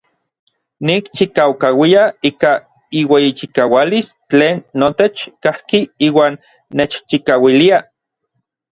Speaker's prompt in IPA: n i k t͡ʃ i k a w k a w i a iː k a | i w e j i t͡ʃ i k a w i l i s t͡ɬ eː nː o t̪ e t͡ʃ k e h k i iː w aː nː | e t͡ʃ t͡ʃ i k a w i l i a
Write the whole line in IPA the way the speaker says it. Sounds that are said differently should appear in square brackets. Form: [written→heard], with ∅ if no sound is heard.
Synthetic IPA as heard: n i k t͡ʃ i k a w k a w i a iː k a | i w e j i t͡ʃ i k a w [i→a] l i s t͡ɬ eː nː o t̪ e t͡ʃ k [e→a] h k i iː w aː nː | e t͡ʃ t͡ʃ i k a w i l i a